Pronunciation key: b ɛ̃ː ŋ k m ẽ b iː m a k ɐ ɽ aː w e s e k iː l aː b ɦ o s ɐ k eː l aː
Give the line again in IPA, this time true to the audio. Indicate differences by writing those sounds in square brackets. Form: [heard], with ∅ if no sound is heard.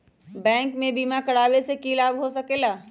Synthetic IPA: b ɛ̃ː ŋ k m ẽ b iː m a k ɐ ɽ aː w e s e k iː l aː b ɦ o s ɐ k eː l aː